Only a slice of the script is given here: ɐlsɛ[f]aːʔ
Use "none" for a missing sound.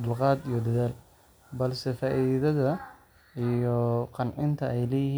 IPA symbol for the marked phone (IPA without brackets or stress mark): f